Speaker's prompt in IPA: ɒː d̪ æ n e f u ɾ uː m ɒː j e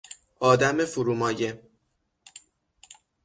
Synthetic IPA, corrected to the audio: ɒː d̪ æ m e f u ɾ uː m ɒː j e